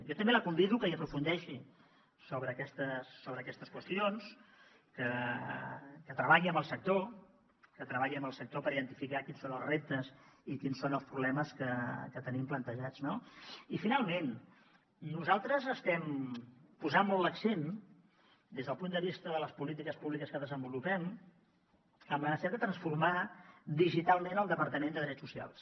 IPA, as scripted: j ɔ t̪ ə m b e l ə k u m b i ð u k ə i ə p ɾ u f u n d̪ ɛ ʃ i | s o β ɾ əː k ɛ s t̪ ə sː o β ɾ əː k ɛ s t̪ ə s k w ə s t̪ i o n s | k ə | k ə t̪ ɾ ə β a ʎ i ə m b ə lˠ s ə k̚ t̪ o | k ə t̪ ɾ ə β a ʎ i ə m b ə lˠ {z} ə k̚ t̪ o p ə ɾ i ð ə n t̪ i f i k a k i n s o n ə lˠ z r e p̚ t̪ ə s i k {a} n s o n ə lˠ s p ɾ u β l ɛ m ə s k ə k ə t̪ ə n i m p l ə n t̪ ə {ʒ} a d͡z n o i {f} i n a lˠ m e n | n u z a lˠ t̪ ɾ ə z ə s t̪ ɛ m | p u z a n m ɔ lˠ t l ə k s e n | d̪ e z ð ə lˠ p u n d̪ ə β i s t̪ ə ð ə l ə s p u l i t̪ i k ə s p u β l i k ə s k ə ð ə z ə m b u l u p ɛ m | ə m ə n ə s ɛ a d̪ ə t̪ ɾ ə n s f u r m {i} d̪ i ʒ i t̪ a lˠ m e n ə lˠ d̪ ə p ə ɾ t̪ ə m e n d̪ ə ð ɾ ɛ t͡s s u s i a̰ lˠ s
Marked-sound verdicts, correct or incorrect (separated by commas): incorrect, incorrect, correct, correct, incorrect